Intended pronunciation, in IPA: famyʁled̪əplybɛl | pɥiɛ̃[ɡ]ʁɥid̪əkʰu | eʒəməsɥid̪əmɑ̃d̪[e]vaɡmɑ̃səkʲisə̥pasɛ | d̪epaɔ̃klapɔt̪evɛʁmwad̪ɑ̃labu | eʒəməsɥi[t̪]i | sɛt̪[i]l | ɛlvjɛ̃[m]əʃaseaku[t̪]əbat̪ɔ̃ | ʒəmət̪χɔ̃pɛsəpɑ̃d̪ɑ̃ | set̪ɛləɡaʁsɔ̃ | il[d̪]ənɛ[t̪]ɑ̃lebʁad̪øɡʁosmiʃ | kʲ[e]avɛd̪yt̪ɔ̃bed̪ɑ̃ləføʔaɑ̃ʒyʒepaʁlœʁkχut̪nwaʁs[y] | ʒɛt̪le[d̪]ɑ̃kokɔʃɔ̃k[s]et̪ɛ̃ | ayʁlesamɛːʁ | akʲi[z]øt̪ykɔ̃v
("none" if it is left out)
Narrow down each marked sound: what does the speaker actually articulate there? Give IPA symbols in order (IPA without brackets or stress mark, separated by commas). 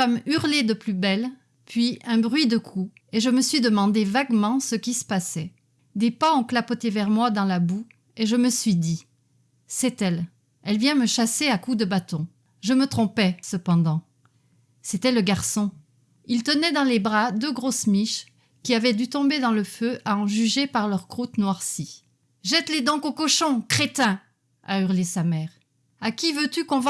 b, e, d̪, ɛ, m, d̪, t̪, d̪, i, i, d̪, χ, v